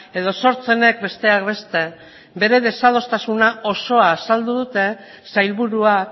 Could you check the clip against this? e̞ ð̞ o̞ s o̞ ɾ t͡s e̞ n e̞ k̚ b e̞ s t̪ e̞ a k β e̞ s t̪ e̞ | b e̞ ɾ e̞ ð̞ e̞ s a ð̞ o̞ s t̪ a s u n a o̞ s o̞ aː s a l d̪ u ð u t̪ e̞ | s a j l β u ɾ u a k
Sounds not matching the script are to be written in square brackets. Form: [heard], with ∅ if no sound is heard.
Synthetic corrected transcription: e̞ ð̞ o̞ s o̞ ɾ t͡s e̞ n e̞ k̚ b e̞ s t̪ e̞ a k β e̞ s t̪ e̞ | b e̞ ɾ e̞ ð̞ e̞ s a ð̞ o̞ s t̪ a s u n a o̞ s o̞ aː s a l d̪ u ð u t̪ e̞ | s a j l β u ɾ u a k